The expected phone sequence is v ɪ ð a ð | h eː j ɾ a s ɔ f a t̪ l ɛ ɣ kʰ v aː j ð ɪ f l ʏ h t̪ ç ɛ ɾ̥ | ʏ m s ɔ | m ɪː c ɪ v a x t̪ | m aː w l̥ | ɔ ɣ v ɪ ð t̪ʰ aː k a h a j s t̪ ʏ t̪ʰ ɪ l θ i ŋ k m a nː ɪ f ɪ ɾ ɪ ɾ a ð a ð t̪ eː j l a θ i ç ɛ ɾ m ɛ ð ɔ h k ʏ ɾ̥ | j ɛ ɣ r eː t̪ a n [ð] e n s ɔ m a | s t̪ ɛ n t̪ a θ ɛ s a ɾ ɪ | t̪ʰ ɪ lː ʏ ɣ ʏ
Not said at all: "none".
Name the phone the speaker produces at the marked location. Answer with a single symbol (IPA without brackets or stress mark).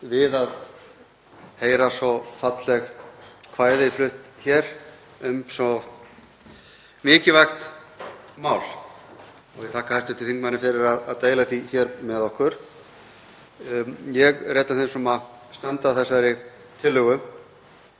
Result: θ